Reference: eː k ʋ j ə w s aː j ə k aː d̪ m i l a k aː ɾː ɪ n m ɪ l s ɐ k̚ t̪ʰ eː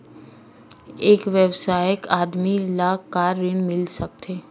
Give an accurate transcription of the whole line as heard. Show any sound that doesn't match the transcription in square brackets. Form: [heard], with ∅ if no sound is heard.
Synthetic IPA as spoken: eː k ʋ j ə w s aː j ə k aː d̪ m i l a k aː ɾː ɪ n m ɪ l s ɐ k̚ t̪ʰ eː